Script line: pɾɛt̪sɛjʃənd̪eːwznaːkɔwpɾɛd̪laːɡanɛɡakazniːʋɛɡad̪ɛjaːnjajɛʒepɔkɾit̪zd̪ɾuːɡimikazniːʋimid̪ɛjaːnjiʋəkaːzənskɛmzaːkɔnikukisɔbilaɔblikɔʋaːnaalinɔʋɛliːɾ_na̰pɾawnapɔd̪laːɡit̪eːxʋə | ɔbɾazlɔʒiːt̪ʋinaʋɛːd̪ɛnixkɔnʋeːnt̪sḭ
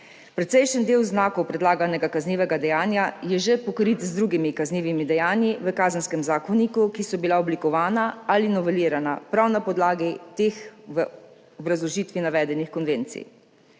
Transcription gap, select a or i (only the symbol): a